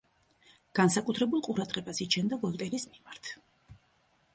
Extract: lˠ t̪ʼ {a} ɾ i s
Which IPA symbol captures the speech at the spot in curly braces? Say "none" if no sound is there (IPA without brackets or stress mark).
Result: ɛ